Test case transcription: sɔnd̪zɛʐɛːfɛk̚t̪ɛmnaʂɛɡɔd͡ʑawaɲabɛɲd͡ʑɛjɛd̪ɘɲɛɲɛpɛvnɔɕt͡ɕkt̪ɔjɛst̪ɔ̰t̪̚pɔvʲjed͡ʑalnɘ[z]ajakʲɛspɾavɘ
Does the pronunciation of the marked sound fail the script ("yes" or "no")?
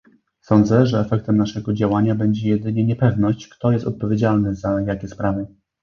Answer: no